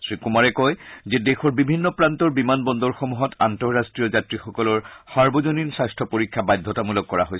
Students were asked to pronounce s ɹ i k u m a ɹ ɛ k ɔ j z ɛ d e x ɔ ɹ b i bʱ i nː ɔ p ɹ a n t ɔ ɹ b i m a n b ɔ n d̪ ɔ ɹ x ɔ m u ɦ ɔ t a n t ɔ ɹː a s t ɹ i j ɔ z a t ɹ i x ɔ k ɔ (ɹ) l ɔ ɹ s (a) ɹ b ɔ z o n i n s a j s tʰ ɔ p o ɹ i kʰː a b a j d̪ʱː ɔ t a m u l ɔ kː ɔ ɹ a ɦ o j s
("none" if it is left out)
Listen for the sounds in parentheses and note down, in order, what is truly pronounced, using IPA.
none, a

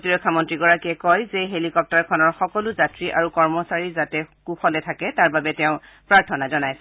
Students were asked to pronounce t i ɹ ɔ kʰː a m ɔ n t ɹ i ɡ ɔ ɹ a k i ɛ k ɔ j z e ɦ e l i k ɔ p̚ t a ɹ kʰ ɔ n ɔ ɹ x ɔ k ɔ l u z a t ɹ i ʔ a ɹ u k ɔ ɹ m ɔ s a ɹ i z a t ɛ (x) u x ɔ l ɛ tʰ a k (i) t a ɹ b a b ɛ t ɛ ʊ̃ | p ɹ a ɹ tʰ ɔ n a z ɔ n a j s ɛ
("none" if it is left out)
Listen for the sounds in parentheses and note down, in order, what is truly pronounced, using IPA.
k, ɛ

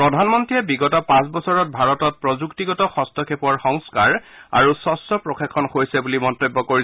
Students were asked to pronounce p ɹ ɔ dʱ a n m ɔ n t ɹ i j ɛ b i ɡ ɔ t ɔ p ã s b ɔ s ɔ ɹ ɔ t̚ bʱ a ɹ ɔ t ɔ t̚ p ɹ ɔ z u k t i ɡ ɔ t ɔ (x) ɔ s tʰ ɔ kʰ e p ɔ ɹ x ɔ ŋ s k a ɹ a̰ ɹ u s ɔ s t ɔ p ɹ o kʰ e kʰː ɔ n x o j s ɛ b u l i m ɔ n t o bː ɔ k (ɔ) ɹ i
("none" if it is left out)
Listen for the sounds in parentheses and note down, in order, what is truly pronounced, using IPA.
x, o

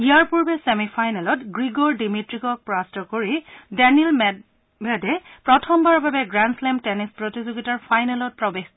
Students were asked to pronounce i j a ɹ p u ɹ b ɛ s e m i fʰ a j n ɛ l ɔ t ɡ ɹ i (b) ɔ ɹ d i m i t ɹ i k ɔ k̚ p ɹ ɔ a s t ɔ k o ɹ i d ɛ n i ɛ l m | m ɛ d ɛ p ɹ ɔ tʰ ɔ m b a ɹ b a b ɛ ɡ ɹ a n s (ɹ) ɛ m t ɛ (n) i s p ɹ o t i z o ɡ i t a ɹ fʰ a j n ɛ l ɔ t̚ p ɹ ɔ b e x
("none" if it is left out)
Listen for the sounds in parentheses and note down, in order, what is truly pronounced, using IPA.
ɡ, l, n

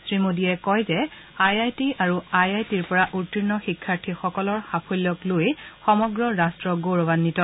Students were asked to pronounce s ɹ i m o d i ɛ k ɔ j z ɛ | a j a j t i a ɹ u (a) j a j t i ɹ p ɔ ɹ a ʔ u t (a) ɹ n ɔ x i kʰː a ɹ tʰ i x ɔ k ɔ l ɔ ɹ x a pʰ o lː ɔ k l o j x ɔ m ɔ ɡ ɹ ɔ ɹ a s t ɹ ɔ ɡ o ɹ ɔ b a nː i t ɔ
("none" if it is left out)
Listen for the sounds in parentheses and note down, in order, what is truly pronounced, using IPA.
a, i

